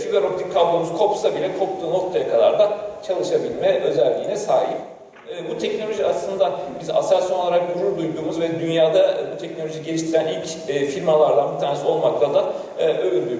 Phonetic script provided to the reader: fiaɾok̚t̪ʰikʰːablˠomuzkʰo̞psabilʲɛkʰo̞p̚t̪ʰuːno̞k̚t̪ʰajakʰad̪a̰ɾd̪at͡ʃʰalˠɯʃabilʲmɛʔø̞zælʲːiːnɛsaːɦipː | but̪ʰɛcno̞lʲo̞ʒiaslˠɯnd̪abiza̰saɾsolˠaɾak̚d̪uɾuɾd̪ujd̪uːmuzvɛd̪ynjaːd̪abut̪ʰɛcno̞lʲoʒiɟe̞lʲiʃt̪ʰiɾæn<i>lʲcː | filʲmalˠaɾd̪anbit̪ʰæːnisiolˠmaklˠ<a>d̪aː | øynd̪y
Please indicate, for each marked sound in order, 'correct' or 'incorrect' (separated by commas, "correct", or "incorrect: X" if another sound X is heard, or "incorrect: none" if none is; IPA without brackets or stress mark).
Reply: correct, correct